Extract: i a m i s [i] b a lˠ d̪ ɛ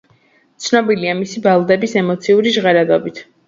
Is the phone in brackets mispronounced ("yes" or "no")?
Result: no